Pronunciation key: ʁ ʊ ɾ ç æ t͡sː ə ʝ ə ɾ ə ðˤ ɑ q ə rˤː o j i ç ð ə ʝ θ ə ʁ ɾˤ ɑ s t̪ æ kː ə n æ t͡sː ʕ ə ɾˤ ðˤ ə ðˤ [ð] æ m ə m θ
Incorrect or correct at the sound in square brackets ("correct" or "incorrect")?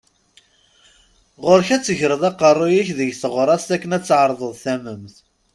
incorrect